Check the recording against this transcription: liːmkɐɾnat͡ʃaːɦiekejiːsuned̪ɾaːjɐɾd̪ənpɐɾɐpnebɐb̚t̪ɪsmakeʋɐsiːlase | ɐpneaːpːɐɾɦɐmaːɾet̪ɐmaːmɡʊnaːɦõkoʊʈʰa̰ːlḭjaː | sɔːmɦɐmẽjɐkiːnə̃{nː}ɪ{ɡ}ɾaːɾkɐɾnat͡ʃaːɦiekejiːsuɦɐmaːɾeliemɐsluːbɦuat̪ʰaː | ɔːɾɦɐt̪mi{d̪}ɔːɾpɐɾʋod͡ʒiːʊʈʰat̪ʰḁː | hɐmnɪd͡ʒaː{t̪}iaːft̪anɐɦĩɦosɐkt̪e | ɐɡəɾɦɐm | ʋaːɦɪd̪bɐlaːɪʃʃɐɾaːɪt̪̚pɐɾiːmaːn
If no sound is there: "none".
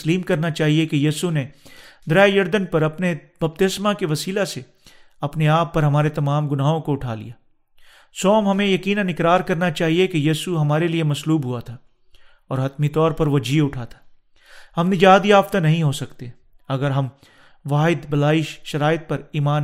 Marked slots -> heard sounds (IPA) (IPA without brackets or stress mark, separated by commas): n, k, t̪, d̪